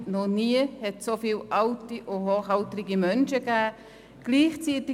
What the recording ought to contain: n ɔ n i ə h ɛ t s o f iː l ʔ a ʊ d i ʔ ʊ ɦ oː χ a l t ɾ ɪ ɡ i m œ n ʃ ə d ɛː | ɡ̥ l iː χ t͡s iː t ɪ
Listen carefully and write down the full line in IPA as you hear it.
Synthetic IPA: n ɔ n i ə h ɛ t s o f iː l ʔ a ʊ t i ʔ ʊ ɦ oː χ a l t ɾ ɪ ɡ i m œ n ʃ ə ɡ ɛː | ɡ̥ l iː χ t͡s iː t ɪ